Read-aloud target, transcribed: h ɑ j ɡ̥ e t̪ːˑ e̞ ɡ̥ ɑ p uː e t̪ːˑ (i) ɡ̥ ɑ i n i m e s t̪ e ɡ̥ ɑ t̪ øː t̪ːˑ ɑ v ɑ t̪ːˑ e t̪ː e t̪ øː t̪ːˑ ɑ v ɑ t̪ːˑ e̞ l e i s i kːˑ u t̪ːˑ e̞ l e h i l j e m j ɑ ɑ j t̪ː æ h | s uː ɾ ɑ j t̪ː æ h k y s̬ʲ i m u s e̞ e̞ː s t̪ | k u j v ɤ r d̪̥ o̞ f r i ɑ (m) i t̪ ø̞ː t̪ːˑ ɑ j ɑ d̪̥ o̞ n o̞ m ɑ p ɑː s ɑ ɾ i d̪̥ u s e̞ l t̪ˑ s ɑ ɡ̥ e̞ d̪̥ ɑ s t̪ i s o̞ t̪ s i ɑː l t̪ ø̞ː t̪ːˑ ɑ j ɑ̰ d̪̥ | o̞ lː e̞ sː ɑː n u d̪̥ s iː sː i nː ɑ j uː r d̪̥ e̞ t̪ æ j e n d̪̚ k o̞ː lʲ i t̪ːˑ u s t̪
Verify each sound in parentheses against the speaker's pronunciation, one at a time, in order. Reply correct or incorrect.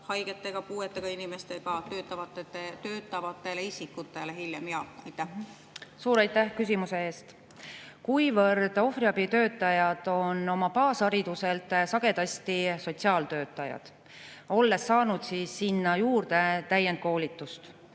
incorrect, incorrect

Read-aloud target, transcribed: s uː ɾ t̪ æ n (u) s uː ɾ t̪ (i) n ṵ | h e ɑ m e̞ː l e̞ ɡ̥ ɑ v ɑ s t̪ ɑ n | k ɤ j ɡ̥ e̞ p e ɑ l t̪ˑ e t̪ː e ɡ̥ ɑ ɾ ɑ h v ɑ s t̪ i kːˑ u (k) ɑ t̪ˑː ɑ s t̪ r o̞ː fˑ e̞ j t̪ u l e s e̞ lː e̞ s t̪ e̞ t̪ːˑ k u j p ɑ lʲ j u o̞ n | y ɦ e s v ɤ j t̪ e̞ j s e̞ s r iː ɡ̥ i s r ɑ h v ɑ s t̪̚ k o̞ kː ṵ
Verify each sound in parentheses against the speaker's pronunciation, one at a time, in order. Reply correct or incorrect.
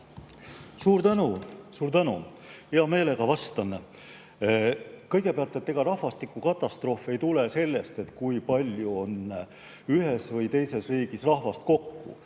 correct, incorrect, correct

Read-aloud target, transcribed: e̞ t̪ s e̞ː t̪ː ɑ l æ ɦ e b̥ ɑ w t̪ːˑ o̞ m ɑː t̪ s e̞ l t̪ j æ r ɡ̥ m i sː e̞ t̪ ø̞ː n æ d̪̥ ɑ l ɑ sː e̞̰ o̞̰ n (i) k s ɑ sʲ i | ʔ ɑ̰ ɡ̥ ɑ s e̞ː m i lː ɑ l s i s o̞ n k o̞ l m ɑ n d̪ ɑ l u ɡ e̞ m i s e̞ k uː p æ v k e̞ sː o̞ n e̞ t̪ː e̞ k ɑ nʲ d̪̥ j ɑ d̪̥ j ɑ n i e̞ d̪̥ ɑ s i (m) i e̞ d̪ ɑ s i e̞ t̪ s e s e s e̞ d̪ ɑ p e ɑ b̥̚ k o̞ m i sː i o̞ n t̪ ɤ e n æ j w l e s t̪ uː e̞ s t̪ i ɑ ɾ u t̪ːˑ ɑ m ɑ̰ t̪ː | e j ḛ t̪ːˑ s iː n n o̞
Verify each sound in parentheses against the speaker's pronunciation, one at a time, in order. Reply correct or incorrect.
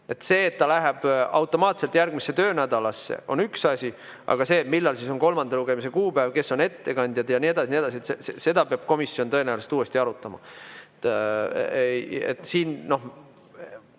incorrect, incorrect

